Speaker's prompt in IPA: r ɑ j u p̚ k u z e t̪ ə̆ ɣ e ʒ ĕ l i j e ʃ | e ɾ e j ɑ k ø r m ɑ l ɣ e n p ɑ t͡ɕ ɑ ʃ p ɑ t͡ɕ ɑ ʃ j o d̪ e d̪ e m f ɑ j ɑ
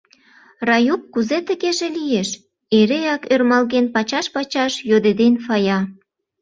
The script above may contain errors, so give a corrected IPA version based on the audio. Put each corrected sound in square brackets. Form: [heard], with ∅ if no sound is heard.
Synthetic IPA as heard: r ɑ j u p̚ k u z e t̪ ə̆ ɣ e ʒ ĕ l i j e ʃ | e ɾ e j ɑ k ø r m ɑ l ɣ e n p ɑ t͡ɕ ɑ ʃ p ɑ t͡ɕ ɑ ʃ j o d̪ e d̪ e [n] f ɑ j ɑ